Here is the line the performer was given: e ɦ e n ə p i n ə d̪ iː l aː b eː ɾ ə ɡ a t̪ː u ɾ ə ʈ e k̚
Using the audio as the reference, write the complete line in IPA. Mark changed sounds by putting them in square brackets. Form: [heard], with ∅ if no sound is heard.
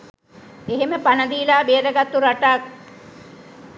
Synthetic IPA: e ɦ e [m] ə p [a] n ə d̪ iː l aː b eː ɾ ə ɡ a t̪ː u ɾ [a] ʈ [a] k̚

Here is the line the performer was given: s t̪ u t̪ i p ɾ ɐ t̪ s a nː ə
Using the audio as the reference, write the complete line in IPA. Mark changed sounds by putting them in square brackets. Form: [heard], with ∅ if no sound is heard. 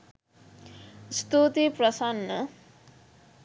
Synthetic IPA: s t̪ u t̪ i p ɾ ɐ [∅] s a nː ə

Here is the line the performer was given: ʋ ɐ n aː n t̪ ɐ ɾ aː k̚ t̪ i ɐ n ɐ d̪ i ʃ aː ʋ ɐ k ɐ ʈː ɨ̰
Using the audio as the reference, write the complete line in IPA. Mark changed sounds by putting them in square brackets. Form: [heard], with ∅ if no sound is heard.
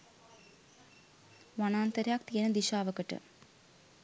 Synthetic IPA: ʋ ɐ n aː n t̪ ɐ ɾ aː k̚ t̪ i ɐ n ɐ d̪ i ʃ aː ʋ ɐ k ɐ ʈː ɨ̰

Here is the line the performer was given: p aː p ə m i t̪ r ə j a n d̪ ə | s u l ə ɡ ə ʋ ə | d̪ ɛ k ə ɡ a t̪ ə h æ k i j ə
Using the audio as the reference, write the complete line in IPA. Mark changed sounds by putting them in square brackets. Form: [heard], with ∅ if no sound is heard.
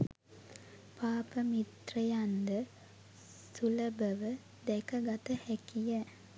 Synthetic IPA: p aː p ə m i t̪ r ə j a n d̪ ə | s u l ə [b] ə ʋ ə | d̪ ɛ k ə ɡ a t̪ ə h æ k i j ə

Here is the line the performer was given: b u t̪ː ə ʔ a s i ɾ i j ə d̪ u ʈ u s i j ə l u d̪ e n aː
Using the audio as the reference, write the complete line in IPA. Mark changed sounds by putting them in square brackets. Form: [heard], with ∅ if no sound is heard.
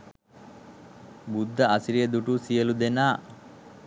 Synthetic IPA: b u [d̪ː] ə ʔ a s i ɾ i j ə d̪ u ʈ u s i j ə l u d̪ e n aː

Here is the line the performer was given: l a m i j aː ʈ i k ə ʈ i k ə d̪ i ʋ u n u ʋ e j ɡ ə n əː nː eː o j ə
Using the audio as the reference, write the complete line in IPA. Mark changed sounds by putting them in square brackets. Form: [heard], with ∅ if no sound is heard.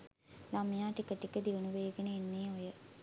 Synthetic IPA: l a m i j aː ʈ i k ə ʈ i k ə d̪ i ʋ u n u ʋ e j ɡ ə n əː nː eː o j ə

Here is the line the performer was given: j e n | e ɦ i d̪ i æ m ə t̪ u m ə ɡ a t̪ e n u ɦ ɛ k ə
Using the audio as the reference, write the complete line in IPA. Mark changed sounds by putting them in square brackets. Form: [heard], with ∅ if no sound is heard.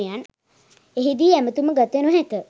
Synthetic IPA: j [a] n | e ɦ i d̪ i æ m ə t̪ u m ə ɡ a t̪ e n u ɦ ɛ k ə

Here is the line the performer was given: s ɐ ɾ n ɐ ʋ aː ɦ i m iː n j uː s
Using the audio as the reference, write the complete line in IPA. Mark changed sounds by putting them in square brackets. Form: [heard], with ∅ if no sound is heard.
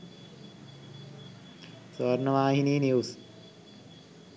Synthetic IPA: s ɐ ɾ n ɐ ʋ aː ɦ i [n] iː n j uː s

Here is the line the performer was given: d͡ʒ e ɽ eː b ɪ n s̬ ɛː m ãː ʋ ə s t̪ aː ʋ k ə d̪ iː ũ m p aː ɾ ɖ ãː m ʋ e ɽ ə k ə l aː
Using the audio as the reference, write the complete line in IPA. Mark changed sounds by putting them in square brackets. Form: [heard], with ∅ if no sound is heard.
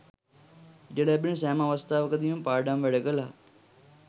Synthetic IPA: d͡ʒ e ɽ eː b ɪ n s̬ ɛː m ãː ʋ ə s t̪ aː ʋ k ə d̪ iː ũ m p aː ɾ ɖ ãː m ʋ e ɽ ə k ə l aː

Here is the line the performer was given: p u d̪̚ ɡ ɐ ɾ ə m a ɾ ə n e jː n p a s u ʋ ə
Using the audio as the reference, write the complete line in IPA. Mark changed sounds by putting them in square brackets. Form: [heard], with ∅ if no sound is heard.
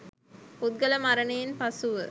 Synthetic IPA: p u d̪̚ ɡ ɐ [l] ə m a ɾ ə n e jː n p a s u ʋ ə

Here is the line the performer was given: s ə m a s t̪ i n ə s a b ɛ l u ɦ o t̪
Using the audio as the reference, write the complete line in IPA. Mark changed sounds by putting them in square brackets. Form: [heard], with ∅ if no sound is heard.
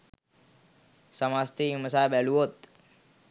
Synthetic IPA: s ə m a s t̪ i [m] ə s a b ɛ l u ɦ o t̪

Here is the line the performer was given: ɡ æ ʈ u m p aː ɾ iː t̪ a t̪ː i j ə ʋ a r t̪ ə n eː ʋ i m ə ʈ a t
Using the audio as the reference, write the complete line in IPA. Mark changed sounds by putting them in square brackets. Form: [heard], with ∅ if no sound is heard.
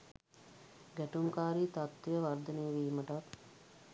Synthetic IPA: ɡ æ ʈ u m [k] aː ɾ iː t̪ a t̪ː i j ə ʋ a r [d̪] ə n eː ʋ [iː] m ə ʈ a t

